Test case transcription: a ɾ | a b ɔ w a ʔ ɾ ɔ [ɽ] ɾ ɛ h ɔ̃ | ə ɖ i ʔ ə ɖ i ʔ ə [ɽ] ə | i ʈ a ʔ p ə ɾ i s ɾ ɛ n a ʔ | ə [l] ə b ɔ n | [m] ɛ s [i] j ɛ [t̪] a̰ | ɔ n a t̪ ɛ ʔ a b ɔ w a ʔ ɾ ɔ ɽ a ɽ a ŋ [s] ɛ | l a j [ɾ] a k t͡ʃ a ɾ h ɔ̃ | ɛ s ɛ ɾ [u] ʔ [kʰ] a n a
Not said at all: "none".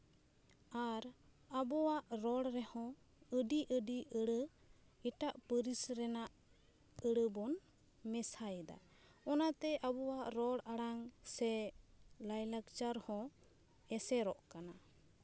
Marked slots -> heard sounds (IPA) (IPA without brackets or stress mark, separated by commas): ɽ, ɽ, ɽ, m, a, d̪, s, l, ɔ, k